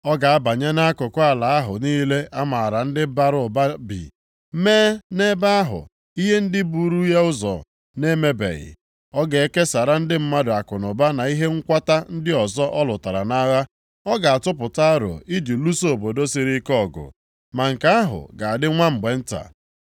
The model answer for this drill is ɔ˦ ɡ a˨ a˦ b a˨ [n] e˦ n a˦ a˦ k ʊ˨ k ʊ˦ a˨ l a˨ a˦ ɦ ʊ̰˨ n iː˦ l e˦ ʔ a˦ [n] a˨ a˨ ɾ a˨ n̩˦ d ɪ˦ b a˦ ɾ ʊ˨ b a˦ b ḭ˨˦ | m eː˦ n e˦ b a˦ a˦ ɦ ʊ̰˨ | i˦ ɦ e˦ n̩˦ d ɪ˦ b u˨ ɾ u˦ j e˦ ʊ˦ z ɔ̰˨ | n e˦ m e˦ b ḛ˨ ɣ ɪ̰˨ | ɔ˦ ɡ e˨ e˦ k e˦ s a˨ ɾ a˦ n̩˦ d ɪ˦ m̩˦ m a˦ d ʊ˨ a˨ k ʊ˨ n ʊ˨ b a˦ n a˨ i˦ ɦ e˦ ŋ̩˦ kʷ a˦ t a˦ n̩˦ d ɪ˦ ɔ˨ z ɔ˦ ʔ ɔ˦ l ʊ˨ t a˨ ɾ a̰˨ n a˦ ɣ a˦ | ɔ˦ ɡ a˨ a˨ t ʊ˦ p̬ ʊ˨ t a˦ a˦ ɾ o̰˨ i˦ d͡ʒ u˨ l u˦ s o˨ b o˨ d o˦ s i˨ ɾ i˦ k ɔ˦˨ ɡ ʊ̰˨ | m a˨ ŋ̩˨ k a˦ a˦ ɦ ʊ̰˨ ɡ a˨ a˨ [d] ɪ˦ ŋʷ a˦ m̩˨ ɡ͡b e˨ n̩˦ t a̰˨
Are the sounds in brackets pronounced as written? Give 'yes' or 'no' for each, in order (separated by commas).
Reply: no, no, yes